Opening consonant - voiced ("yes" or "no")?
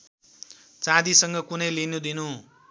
no